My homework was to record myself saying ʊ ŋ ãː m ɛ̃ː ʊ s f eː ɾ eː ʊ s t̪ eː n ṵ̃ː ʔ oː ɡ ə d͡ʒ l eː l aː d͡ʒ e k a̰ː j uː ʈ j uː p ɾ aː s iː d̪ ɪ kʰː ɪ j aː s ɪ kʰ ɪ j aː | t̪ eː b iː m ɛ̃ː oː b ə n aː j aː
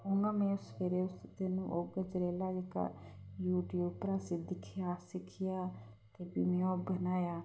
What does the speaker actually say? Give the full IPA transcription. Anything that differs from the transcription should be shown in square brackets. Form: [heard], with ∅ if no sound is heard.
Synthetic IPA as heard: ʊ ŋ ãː m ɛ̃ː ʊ s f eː ɾ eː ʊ s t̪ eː n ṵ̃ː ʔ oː ɡ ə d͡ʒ [ɾ] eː l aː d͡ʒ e k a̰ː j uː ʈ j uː p ɾ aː s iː d̪ ɪ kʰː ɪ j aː s ɪ kʰ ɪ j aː | t̪ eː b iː m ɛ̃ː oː b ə n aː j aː

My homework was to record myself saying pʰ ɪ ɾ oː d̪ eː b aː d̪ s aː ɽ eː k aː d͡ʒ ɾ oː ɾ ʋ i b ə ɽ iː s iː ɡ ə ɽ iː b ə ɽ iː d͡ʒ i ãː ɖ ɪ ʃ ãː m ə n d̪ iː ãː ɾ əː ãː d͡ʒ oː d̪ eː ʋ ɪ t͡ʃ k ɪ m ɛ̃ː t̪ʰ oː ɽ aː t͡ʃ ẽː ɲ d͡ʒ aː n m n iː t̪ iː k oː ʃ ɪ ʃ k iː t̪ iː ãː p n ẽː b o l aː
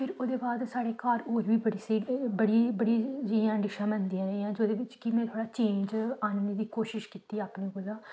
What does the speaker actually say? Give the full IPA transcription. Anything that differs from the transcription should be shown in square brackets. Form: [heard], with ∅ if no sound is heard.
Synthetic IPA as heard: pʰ ɪ ɾ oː d̪ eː b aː d̪ s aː ɽ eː k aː [∅] ɾ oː ɾ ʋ [iː] b ə ɽ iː s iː [b] ə ɽ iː b ə ɽ iː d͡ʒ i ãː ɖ ɪ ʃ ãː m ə n d̪ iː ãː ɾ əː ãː d͡ʒ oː d̪ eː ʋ ɪ t͡ʃ k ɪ m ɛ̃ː t̪ʰ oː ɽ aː t͡ʃ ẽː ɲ d͡ʒ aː n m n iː [d̪] iː k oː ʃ ɪ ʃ k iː t̪ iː [aː] p n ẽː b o l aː

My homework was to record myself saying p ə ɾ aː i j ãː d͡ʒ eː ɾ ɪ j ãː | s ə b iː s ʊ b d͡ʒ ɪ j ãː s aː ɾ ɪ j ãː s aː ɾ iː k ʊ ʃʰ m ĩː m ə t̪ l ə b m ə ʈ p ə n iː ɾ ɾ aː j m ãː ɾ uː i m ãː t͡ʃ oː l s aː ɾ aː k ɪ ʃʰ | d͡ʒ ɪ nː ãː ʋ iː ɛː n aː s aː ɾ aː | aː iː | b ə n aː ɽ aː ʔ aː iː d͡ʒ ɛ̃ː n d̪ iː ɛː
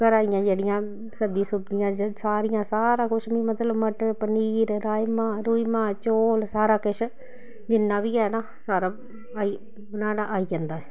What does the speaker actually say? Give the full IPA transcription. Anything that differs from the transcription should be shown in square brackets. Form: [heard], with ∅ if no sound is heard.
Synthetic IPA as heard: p ə ɾ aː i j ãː d͡ʒ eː [ɽ] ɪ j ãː | s ə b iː s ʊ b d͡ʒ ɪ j ãː s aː ɾ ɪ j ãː s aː ɾ [aː] k ʊ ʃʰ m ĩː m ə t̪ l ə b m ə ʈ p ə n iː ɾ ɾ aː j m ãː ɾ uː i m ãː t͡ʃ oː l s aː ɾ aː k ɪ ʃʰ | d͡ʒ ɪ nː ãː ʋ iː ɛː n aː s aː ɾ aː | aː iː | b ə n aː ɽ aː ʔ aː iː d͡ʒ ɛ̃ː n d̪ [aː] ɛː

